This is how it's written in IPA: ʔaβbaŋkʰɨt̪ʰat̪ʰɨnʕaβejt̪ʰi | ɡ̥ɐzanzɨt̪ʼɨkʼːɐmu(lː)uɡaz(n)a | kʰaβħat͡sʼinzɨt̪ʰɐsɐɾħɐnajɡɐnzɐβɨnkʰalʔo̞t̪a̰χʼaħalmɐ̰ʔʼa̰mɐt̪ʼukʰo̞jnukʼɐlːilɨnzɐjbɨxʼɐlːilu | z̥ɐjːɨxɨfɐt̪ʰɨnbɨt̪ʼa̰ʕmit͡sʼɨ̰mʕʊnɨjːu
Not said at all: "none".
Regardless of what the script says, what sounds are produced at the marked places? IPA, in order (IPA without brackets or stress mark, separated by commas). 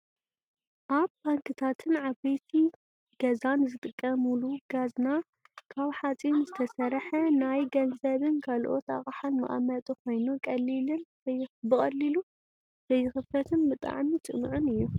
l, n